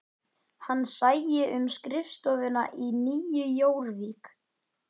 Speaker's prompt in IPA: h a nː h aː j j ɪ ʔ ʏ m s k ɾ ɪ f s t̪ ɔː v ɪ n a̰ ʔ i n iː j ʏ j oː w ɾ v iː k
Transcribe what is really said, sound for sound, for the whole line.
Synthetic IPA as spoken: h a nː s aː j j ɪ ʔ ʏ m s k ɾ ɪ f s t̪ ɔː v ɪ n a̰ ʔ i n iː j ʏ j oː w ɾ v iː k

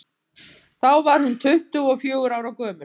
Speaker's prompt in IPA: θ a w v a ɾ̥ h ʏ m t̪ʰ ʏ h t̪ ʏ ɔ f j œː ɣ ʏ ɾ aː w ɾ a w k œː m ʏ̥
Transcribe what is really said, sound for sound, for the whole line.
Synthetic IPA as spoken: θ a w v a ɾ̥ h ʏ n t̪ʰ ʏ h t̪ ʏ ɔ f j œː ɣ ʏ ɾ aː w ɾ a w k œː m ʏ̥

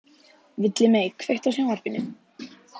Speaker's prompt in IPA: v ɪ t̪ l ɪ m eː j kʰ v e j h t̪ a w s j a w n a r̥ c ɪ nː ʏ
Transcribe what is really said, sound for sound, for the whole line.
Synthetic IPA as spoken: v ɪ t̪ l ɪ m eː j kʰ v e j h t̪ a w s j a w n a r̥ p ɪ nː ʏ

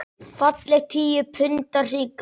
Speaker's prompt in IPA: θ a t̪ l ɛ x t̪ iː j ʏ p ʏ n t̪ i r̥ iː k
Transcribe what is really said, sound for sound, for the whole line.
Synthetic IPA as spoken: f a t̪ l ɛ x t̪ʰ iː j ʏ pʰ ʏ n t̪ a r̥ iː k

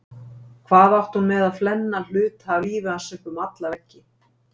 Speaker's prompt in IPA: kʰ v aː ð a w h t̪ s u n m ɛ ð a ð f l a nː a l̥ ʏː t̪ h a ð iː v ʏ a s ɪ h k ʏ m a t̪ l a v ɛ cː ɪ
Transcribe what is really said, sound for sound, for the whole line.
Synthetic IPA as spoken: kʰ v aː ð a w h t̪ h u n m ɛ ð a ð f l ɛ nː a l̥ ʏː t̪ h a v iː v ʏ a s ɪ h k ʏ m a t̪ l a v ɛ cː ɪ

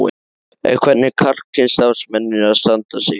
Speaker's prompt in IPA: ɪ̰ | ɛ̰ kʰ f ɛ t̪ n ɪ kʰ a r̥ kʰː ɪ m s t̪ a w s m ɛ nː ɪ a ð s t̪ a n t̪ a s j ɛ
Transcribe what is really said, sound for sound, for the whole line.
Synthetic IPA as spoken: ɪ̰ | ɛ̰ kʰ v ɛ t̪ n ɪ kʰ a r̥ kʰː ɪ n s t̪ a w s m ɛ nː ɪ a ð s t̪ a n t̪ a s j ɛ

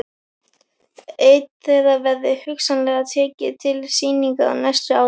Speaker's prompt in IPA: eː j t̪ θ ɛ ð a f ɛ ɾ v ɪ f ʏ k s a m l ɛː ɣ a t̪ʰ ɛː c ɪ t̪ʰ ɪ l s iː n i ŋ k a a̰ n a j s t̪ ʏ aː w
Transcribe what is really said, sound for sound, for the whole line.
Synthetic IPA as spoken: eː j t̪ θ ɛ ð a v ɛ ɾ ð ɪ h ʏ k s a n l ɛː ɣ a t̪ʰ ɛː c ɪ t̪ʰ ɪ l s iː n i ŋ k a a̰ n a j s t̪ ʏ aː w

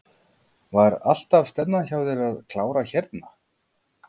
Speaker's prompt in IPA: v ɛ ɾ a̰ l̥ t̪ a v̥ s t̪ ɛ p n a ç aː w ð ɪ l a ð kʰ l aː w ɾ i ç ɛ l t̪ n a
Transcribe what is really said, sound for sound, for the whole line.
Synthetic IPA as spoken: v a ɾ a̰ l̥ t̪ a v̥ s t̪ ɛ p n a ç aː w ð ɪ ɾ a ð kʰ l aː w ɾ a ç ɛ ɾ t̪ n a

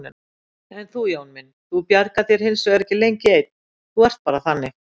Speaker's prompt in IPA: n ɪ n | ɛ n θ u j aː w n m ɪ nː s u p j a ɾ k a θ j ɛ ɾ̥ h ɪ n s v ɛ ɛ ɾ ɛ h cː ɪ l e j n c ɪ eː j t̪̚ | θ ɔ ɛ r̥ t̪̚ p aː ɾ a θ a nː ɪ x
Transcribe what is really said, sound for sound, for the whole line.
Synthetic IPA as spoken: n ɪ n | ɛ n θ u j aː w n m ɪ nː θ u p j a ɾ k a θ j ɛ ɾ̥ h ɪ n s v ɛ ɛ ɾ ɛ h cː ɪ l e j ɲ c ɪ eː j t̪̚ | θ u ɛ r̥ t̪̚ p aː ɾ a θ a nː ɪ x

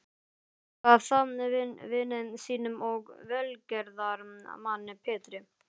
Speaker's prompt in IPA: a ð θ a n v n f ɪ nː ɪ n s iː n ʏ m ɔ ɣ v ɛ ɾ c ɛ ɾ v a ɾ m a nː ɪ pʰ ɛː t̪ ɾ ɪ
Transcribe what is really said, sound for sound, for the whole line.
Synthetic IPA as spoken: a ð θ a n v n v ɪ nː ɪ n s iː n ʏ m ɔ ɣ v ɛ l c ɛ ɾ ð a ɾ m a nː ɪ pʰ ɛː t̪ ɾ ɪ

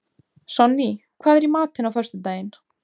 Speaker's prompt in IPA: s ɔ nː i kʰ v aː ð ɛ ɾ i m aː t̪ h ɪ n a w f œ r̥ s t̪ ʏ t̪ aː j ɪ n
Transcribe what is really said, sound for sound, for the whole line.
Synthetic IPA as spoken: s ɔ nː i kʰ v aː ð ɛ ɾ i m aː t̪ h ɪ n a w f œ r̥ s t̪ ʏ t̪ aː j ɪ n

